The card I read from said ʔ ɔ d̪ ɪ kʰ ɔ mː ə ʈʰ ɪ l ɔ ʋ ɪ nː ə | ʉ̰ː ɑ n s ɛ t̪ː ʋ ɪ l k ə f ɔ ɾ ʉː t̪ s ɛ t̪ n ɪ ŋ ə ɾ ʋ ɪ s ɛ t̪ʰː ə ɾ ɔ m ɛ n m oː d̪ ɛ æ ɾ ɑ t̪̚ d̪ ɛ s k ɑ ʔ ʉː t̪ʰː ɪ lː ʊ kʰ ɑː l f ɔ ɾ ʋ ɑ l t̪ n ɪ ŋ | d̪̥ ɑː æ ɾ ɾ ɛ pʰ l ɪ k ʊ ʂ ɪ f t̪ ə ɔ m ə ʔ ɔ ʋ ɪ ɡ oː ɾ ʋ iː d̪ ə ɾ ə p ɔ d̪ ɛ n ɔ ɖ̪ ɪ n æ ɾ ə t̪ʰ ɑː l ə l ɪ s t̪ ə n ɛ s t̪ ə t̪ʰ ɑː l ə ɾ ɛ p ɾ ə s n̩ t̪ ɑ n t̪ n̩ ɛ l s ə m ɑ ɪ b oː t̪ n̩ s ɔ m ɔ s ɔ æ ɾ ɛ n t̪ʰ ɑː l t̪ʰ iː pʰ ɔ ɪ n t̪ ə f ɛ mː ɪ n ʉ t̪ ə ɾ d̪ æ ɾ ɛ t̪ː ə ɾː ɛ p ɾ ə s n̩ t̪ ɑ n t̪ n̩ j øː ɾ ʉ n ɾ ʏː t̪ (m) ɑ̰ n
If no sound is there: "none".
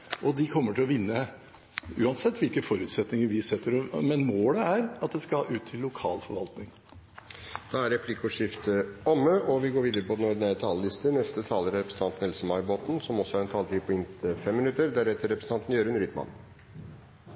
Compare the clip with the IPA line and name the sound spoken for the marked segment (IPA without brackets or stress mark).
m